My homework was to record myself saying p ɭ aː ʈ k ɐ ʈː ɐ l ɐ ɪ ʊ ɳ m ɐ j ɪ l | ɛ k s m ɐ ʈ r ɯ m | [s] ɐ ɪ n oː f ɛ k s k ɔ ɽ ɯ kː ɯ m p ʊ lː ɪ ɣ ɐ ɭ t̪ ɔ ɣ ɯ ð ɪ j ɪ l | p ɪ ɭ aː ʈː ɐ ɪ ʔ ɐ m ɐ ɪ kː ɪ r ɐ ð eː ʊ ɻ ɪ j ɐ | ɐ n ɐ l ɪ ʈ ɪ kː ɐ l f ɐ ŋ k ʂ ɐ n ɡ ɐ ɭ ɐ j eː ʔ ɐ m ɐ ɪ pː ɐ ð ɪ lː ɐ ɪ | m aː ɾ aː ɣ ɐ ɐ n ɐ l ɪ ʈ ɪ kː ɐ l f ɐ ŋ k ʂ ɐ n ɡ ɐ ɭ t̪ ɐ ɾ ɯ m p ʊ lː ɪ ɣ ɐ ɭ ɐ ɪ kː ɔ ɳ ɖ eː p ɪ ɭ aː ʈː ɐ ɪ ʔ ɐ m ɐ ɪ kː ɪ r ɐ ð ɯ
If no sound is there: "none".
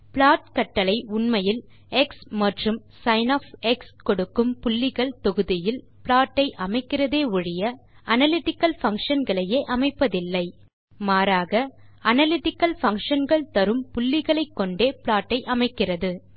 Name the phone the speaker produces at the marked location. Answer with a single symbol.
s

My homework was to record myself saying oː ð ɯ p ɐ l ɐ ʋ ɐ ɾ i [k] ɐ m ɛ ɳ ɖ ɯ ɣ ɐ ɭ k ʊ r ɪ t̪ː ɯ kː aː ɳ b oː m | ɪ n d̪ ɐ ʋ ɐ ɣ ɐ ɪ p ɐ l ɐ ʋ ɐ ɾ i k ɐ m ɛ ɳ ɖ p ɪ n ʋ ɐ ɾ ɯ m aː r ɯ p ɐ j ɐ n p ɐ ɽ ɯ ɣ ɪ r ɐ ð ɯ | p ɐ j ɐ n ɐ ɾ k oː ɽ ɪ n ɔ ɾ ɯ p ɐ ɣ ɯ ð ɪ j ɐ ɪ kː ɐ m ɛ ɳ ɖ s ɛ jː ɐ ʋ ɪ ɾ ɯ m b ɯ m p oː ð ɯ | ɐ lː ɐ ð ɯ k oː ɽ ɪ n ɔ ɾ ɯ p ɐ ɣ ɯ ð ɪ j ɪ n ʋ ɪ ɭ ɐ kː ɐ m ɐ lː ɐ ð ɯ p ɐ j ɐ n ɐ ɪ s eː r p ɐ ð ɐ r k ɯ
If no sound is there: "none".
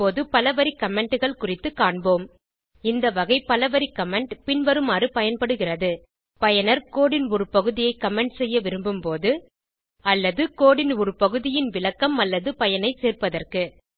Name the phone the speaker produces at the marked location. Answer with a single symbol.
k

